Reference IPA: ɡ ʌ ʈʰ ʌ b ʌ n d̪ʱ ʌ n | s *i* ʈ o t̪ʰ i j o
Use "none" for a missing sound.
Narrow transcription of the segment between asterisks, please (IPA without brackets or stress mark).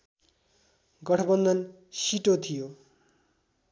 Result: i